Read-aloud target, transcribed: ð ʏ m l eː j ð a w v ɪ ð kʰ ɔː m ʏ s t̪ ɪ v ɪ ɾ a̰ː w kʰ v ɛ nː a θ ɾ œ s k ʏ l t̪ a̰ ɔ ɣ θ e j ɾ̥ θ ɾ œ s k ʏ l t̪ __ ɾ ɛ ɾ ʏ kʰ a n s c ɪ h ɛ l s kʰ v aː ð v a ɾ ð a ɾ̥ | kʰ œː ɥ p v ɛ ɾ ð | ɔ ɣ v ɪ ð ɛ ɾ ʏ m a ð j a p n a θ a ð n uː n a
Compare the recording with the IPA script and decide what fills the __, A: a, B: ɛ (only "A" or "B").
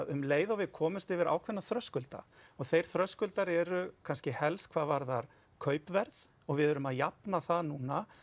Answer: A